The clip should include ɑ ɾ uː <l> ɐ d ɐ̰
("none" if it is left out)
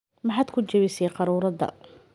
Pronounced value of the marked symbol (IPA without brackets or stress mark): ɾ